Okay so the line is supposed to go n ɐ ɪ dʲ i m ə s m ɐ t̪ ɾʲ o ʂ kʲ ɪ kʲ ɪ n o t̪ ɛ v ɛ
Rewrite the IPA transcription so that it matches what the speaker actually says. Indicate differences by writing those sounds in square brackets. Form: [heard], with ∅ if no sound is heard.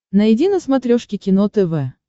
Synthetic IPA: n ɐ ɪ dʲ i [n] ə s m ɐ t̪ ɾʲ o ʂ kʲ ɪ kʲ ɪ n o t̪ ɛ v ɛ

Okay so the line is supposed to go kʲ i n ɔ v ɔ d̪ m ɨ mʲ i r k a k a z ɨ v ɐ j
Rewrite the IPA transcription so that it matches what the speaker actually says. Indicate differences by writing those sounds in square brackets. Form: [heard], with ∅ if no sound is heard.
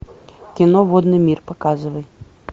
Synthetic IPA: kʲ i n ɔ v ɔ d̪ [n] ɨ mʲ i r [p] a k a z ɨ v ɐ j

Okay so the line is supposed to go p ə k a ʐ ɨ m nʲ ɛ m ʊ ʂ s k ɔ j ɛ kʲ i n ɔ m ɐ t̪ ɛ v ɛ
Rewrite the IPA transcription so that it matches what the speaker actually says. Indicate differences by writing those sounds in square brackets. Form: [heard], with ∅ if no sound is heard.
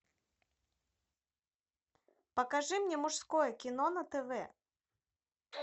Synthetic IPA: p [ɐ] k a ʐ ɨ m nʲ ɛ m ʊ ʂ s k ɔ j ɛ kʲ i n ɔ [n] ɐ t̪ ɛ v ɛ

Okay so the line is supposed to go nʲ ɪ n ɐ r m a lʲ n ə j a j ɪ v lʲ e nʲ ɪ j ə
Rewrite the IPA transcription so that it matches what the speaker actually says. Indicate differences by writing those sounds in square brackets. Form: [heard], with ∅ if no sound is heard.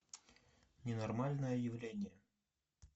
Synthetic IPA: nʲ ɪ n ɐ r m a lʲ n ə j [ə] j ɪ v lʲ e nʲ ɪ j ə

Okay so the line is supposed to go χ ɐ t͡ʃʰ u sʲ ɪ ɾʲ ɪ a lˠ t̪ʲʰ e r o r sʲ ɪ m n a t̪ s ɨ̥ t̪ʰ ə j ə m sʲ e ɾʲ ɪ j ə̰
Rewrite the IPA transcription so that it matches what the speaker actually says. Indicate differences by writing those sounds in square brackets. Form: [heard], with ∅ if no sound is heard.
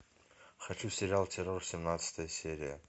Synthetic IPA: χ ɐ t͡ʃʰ u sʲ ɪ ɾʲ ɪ a lˠ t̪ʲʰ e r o r sʲ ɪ m n a t̪ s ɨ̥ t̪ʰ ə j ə [∅] sʲ e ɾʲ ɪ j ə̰

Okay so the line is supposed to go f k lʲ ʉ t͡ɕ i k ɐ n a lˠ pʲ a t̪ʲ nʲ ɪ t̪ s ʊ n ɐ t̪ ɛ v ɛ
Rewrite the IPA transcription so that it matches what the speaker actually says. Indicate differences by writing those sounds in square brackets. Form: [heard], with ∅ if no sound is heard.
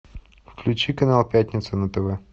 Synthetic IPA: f k lʲ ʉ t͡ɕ i k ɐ n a lˠ pʲ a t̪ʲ nʲ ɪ t̪ s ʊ n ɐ t̪ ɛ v ɛ

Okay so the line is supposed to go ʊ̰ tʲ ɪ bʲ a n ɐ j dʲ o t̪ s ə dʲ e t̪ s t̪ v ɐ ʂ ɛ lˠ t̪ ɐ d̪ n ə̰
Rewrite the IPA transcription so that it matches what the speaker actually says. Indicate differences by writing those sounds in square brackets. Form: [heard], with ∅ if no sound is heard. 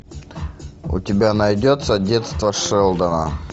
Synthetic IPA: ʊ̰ tʲ ɪ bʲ a n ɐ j dʲ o t̪ s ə dʲ e t̪ s t̪ v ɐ ʂ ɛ lˠ [d̪] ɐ [∅] n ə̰

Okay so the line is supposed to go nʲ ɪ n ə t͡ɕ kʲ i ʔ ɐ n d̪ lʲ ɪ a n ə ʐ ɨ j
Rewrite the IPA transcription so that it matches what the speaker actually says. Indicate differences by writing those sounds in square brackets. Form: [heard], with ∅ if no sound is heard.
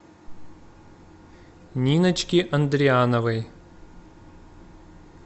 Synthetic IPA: nʲ [i] n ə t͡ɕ kʲ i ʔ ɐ n d̪ [ɾʲ] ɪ a n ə [v] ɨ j

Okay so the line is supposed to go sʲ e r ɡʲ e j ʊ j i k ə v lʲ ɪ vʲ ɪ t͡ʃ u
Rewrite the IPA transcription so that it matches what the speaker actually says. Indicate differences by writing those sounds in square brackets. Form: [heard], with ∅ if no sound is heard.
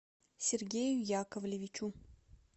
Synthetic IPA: sʲ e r ɡʲ e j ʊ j [a] k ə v lʲ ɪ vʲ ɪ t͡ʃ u

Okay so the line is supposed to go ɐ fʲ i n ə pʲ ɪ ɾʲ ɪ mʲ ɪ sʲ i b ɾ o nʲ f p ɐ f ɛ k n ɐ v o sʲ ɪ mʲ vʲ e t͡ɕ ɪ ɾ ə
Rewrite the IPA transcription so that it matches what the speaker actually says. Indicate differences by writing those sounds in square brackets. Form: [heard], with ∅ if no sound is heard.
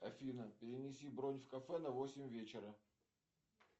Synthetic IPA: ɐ fʲ i n ə pʲ ɪ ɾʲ ɪ [nʲ] ɪ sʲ i b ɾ o nʲ f [k] ɐ f ɛ [∅] n ɐ v o sʲ ɪ mʲ vʲ e t͡ɕ ɪ ɾ ə

